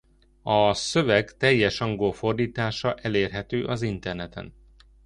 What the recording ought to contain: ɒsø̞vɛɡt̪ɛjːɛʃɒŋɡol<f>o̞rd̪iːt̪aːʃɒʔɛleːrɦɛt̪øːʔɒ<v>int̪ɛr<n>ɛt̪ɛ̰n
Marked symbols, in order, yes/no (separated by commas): yes, no, yes